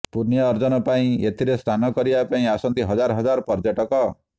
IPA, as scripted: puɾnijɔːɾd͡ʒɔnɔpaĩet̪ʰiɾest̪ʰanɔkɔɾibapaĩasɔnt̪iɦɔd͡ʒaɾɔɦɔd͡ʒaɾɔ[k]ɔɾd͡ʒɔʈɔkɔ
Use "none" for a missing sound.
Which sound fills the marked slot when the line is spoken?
p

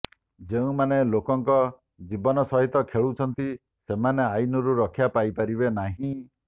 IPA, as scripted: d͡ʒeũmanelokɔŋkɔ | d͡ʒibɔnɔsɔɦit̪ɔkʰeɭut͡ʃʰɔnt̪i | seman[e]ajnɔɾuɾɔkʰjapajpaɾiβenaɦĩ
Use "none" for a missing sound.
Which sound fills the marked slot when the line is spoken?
e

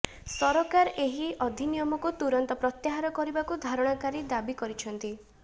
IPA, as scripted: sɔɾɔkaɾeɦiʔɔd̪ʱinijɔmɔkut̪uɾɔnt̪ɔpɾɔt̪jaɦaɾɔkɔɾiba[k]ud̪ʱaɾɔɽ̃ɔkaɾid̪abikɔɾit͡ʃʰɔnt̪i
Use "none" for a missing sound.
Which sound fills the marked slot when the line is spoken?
k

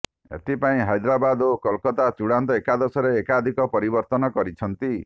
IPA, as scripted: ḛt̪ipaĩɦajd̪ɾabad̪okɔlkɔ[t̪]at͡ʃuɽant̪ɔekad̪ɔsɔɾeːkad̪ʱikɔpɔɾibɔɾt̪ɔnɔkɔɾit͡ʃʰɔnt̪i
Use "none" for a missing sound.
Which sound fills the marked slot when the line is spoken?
t̪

